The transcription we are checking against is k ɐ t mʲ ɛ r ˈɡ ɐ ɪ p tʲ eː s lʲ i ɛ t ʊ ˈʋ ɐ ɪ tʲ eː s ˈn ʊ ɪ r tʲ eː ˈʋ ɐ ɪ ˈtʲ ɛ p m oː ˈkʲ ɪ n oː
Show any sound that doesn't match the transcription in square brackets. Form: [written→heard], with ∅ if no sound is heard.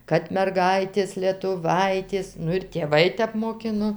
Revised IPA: k ɐ t mʲ ɛ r ˈɡ ɐ ɪ [p→∅] tʲ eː s lʲ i ɛ t ʊ ˈʋ ɐ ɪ tʲ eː s ˈn ʊ ɪ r tʲ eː ˈʋ ɐ ɪ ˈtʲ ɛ p m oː ˈkʲ ɪ n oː